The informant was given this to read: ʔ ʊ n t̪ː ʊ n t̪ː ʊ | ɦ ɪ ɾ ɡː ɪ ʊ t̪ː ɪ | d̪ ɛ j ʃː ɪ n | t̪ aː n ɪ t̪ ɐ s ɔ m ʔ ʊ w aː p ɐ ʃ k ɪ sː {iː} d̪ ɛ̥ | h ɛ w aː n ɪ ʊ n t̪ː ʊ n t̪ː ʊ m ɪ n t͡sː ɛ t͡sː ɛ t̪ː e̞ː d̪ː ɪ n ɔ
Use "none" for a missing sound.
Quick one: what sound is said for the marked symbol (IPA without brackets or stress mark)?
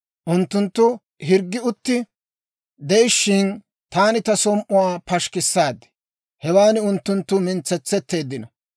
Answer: aː